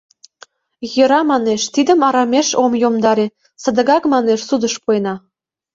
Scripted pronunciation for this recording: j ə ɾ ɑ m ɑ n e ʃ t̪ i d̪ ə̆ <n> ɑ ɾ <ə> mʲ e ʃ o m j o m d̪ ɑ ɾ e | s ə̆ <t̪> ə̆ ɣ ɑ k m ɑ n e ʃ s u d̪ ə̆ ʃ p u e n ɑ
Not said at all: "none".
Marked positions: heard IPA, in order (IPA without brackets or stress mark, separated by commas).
m, ɑ, d̪